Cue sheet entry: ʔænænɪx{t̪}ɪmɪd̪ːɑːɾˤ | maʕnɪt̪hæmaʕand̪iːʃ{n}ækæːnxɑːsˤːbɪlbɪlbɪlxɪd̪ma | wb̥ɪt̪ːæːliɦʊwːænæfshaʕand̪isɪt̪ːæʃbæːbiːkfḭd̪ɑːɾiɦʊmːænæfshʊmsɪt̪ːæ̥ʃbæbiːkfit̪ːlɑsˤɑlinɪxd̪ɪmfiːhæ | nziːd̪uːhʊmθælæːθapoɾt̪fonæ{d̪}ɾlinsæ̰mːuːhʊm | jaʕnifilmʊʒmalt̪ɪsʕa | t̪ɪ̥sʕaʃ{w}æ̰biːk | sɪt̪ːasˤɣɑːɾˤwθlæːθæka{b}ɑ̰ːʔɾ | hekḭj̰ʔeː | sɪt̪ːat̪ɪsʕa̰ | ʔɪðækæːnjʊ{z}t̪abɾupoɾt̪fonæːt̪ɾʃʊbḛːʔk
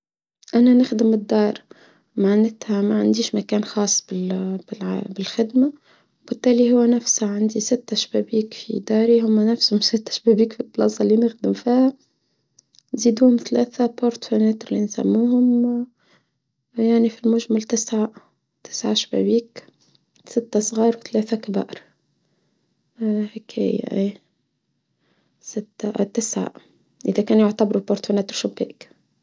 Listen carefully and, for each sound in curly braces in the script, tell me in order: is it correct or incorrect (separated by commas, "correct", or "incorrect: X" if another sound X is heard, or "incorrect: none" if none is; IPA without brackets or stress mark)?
incorrect: d̪, incorrect: m, incorrect: t̪, incorrect: b, correct, incorrect: ʕ